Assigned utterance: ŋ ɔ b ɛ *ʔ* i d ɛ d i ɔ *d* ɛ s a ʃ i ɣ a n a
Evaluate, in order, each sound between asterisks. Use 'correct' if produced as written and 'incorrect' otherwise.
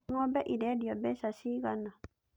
correct, incorrect: b

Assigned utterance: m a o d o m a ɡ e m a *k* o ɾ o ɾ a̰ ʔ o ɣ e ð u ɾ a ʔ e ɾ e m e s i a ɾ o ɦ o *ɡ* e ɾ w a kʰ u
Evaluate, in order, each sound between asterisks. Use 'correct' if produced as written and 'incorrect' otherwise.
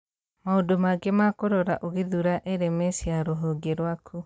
correct, correct

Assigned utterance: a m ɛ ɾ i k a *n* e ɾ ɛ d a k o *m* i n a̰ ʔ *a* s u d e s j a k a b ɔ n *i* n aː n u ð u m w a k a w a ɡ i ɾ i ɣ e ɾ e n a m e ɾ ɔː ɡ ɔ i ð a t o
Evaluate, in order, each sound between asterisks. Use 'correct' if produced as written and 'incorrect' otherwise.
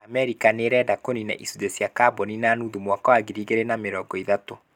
correct, incorrect: n, incorrect: i, correct

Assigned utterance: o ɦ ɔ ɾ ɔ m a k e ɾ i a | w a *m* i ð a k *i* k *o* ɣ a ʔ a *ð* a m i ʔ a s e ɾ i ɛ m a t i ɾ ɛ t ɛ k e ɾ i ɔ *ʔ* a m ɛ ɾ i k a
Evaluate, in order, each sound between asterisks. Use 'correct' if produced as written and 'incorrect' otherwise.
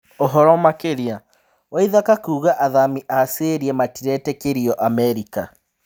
incorrect: none, incorrect: a, incorrect: u, correct, correct

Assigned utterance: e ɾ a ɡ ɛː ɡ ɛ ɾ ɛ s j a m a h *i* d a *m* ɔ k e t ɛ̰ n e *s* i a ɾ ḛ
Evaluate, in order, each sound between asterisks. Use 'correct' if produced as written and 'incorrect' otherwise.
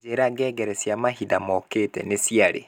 correct, correct, correct

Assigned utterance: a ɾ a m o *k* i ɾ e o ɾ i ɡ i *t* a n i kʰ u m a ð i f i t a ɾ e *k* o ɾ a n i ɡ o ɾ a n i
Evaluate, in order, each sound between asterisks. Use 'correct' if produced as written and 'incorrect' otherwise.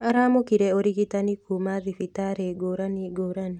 correct, correct, incorrect: ɡ

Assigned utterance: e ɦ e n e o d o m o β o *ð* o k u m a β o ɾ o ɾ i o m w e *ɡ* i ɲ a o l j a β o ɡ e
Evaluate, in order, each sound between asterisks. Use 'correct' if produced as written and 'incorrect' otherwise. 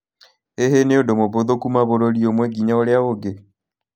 correct, correct

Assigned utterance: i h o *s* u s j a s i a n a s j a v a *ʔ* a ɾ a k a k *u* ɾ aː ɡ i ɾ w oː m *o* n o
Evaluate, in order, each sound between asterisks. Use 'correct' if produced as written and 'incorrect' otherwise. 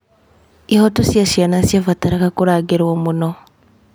incorrect: t, incorrect: t, correct, incorrect: u

